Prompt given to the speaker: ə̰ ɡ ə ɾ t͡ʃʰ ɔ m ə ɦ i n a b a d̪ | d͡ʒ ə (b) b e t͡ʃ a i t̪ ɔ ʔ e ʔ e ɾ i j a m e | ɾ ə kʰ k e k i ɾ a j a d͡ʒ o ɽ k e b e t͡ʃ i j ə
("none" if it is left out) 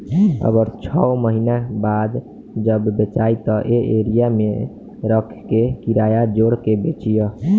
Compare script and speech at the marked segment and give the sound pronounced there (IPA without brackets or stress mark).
b